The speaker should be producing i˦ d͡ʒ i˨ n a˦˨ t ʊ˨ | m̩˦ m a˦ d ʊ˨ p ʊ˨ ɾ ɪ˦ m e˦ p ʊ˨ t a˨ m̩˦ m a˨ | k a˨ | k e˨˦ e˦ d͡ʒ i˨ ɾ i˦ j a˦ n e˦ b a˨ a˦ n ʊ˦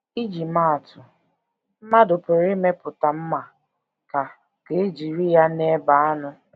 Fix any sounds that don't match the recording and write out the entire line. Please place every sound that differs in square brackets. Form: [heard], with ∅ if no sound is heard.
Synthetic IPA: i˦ d͡ʒ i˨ [m] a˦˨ t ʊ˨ | m̩˦ m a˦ d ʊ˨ p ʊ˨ ɾ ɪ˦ m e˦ p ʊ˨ t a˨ m̩˦ m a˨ | k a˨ | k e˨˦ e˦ d͡ʒ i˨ ɾ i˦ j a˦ n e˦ b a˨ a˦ n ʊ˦